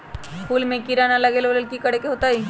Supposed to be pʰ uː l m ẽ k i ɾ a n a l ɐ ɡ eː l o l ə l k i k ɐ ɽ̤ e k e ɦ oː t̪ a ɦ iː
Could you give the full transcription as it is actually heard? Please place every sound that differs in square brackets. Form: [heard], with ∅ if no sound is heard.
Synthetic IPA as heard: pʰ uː l m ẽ k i ɾ a n a l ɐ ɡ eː l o l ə l k i k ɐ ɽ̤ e k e ɦ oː t̪ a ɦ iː